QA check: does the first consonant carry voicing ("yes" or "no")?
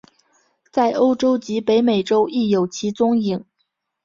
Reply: no